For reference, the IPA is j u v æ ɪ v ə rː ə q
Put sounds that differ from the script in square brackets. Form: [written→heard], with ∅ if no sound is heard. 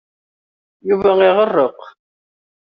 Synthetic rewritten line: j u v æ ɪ [v→ʁ] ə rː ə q